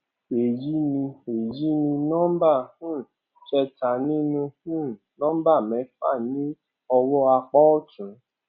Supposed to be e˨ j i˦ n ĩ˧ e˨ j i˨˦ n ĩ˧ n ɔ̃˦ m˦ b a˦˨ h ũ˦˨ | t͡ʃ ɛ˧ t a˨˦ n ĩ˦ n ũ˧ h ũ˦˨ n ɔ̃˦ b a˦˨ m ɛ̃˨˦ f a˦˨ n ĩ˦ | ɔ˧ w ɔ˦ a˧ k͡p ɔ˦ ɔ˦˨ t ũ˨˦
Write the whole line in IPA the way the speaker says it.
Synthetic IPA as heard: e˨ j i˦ n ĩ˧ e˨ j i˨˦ n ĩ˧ n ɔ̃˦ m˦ b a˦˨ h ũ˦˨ | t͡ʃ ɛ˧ t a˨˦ n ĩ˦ n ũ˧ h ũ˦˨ n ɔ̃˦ b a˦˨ m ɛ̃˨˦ f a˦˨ n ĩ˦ | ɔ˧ w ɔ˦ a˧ k͡p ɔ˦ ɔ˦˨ t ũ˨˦